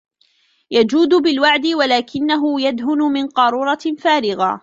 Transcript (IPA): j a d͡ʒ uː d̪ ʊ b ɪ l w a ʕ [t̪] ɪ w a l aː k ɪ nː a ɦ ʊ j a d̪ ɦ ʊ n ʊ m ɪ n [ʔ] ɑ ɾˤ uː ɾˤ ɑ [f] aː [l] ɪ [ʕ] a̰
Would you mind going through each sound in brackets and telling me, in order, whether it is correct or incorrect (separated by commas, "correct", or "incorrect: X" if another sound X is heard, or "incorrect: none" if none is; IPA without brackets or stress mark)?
incorrect: d̪, incorrect: q, correct, incorrect: ɾ, incorrect: ɣ